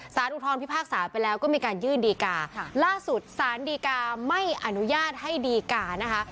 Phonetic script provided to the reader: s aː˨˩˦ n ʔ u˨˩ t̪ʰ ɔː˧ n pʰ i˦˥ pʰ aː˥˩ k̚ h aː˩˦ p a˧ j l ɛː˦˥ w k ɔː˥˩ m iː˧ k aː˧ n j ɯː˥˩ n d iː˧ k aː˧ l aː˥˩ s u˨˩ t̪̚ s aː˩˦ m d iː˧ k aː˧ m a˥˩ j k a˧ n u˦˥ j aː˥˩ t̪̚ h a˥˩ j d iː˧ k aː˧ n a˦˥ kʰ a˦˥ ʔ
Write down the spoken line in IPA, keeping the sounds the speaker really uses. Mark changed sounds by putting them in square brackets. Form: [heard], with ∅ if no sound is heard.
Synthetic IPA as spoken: s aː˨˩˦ n ʔ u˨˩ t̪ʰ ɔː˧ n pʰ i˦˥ pʰ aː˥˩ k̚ [s] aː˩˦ p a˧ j l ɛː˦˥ w k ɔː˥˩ m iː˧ k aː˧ n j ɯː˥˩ n d iː˧ k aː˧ l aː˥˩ s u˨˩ t̪̚ s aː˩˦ [n] d iː˧ k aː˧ m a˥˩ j [ʔ] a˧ n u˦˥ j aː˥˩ t̪̚ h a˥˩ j d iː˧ k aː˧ n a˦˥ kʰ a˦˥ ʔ